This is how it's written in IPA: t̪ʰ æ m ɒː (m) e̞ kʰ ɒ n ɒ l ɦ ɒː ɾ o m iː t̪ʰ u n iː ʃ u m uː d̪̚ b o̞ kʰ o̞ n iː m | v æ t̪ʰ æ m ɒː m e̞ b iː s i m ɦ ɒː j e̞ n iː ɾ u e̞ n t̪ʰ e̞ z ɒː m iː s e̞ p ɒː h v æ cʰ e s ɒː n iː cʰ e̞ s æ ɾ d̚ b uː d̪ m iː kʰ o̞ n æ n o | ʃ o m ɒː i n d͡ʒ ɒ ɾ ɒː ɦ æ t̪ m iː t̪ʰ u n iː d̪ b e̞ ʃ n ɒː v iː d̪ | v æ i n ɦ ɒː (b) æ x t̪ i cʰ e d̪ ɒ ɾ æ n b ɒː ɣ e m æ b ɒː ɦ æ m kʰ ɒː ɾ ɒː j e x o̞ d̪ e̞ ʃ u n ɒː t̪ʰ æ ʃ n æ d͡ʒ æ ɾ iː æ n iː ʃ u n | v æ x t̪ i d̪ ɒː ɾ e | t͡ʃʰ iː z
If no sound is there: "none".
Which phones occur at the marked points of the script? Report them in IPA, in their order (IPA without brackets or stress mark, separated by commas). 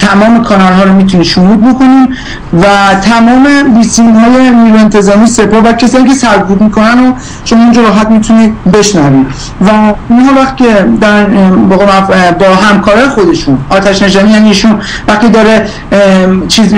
m, v